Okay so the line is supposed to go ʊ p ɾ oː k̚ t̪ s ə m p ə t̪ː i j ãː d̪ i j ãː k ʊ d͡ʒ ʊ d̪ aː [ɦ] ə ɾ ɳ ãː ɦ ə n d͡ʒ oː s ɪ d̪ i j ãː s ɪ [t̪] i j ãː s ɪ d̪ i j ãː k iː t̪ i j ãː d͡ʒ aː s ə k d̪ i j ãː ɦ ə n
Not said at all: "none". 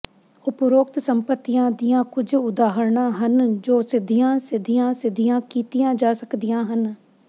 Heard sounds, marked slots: ɦ, d̪

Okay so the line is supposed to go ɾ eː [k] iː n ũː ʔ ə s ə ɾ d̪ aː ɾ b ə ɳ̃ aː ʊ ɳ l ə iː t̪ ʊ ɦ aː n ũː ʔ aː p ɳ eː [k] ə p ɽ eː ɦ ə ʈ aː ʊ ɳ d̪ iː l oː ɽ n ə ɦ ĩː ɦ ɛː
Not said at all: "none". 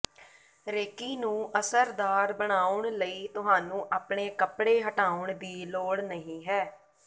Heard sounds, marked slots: k, k

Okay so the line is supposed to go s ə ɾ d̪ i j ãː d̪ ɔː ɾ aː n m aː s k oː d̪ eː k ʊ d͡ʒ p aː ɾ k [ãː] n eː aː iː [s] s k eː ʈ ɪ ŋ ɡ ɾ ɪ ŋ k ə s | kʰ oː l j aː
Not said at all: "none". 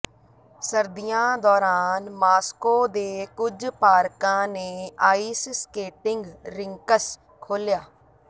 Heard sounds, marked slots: ãː, s

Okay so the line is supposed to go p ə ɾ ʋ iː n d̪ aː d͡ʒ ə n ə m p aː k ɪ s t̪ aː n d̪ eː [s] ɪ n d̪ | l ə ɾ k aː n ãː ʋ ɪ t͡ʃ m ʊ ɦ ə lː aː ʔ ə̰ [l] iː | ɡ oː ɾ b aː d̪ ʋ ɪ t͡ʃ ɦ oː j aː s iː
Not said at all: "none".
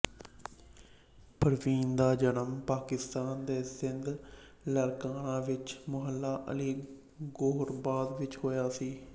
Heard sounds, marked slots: s, l

